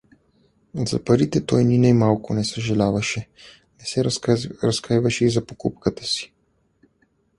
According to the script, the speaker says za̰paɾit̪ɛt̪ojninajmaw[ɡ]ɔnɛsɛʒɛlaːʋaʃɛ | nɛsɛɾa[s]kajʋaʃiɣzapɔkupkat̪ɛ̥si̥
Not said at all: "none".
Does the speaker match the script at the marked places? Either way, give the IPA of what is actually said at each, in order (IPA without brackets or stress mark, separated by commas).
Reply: k, s